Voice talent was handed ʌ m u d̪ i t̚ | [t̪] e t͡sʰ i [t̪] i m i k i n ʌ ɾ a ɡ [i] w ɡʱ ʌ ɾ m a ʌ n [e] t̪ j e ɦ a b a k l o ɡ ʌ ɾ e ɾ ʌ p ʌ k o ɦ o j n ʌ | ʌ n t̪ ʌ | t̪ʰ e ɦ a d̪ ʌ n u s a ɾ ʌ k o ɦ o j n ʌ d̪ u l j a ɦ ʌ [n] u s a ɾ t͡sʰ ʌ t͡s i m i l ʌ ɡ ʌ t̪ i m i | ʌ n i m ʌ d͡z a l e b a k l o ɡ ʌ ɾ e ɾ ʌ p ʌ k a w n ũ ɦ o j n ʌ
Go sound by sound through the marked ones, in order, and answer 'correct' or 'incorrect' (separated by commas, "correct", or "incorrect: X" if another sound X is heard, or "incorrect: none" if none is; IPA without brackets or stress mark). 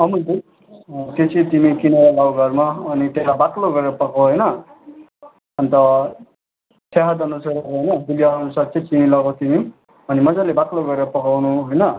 correct, correct, incorrect: a, incorrect: i, correct